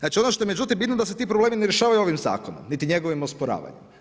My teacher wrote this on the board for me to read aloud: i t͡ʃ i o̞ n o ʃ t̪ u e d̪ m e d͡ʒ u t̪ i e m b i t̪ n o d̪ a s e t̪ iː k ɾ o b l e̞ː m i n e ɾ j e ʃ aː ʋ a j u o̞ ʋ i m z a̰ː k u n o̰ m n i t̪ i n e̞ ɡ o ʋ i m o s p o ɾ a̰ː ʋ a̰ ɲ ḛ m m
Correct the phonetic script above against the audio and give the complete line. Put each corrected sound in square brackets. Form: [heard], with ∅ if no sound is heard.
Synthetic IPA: [a] t͡ʃ i o̞ n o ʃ t̪ [o] e [∅] m e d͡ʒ u t̪ i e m b i t̪ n o d̪ a s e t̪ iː [p] ɾ o b l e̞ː m i n e ɾ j e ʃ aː ʋ a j u o̞ ʋ i m z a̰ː k [o] n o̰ m n i t̪ i [ɲ] e̞ ɡ o ʋ i m o s p o ɾ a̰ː ʋ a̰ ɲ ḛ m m